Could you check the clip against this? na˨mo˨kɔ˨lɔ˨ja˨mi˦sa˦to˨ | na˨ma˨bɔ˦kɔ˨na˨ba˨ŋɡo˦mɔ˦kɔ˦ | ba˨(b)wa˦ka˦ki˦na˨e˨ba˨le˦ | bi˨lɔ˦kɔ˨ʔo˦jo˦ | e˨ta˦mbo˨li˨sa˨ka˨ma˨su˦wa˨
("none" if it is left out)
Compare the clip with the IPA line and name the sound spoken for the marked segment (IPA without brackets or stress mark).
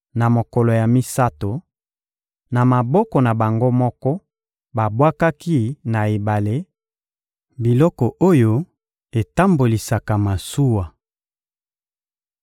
b